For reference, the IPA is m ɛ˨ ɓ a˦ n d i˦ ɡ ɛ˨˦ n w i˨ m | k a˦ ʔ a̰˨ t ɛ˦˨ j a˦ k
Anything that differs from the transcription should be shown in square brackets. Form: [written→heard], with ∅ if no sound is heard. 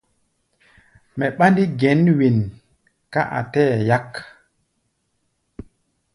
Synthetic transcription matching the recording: m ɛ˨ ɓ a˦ n d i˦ ɡ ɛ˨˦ n w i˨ [m→n] | k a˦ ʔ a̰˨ t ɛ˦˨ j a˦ k

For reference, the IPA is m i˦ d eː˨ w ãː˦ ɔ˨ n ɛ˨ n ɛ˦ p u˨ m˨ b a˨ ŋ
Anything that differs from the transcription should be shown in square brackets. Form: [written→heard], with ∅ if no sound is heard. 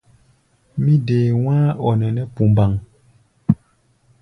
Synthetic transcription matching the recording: m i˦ d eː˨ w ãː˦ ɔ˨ n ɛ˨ n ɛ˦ p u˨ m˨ b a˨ ŋ

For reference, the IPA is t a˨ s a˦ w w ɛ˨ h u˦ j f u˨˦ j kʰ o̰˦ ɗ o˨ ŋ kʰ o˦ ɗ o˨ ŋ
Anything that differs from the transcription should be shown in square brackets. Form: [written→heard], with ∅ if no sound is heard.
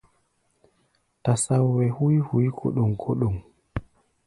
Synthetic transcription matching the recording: t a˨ s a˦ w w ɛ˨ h u˦ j [f→h] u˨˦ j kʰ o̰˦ ɗ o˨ ŋ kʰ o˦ ɗ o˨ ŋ

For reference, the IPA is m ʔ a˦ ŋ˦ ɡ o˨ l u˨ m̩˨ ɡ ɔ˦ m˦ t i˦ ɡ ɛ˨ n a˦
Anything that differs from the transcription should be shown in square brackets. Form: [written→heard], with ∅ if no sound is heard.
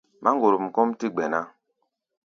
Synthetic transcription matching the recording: m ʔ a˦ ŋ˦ ɡ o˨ [l→ɾ] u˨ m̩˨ [ɡ→k] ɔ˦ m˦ t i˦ [ɡ→ɡ͡b] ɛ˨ n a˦

